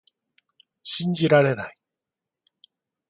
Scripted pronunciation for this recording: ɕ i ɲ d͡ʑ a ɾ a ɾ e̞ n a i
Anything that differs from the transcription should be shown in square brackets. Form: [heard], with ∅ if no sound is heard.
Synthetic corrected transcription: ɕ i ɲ d͡ʑ [i] ɾ a ɾ e̞ n a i